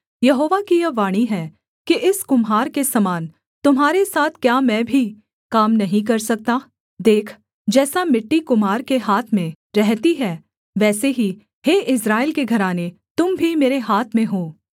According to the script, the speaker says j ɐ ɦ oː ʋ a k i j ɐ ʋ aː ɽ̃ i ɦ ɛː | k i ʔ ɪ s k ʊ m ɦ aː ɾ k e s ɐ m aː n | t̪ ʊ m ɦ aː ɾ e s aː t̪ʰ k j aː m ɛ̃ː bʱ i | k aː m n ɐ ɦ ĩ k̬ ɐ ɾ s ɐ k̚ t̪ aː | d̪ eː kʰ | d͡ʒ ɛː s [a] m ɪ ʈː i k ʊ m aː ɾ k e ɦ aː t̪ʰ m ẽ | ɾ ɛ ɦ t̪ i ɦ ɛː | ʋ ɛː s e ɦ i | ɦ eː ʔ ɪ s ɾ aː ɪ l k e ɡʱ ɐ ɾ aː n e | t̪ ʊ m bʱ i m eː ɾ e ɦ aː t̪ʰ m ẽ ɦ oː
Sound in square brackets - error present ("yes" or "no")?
no